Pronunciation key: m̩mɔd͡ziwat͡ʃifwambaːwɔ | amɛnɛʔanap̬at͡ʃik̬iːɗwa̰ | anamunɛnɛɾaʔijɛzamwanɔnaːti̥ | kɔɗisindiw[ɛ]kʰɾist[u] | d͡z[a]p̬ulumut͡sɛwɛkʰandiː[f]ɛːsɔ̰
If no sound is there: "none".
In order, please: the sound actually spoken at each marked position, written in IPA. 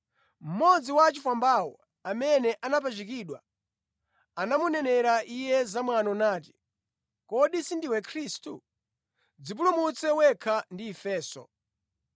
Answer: ɛ, u, i, f

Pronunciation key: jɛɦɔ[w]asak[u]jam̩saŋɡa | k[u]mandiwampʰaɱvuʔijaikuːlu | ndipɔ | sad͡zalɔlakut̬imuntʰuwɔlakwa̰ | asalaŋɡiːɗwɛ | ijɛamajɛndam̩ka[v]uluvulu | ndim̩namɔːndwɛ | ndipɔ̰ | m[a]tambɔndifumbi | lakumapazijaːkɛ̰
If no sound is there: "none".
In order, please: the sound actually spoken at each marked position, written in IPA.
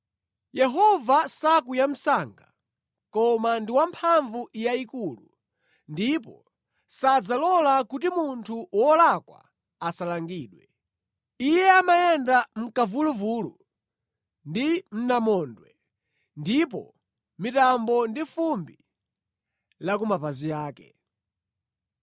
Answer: v, u, ɔ, v, i

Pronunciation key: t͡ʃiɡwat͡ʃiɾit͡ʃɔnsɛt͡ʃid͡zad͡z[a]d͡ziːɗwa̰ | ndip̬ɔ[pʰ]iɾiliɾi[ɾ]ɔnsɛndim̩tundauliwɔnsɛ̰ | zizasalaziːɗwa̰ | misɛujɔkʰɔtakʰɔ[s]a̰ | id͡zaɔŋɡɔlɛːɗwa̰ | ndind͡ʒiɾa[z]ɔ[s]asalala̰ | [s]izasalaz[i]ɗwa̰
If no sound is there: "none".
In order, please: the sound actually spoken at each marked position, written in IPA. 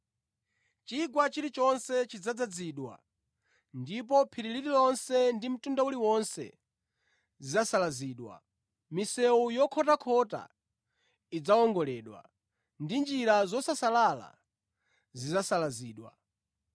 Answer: a, pʰ, l, t, z, s, z, iː

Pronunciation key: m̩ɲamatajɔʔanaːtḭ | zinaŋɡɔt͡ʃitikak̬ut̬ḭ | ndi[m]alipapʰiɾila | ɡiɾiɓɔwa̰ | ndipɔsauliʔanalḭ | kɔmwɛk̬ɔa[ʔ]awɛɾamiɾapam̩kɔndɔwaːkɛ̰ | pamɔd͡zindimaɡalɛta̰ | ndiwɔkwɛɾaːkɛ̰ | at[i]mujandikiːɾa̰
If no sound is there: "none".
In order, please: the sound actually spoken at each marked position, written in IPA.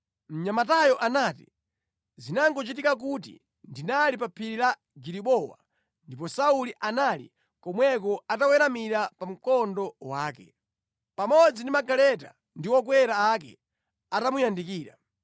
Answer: n, t, a

